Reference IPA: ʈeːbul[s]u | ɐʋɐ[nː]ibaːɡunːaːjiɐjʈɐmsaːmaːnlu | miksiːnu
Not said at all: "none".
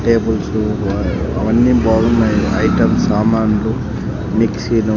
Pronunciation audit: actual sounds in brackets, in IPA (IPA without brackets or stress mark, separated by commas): s, nː